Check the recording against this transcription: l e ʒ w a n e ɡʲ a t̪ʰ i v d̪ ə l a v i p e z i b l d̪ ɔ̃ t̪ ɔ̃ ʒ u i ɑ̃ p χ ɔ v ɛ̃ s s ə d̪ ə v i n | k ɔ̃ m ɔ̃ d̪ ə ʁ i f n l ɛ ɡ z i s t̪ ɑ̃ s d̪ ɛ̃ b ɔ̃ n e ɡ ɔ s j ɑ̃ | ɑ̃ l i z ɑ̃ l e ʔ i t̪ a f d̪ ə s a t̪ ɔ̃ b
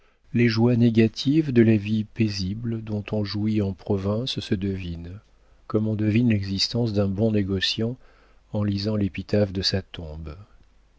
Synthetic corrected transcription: l e ʒ w a n e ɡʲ a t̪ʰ i v d̪ ə l a v i p e z i b l d̪ ɔ̃ t̪ ɔ̃ ʒ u i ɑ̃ p χ ɔ v ɛ̃ s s ə d̪ ə v i n | k ɔ m ɔ̃ d̪ ə v i n l ɛ ɡ z i s t̪ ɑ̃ s d̪ ɛ̃ b ɔ̃ n e ɡ ɔ s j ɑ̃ | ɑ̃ l i z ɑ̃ l e p i t̪ a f d̪ ə s a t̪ ɔ̃ b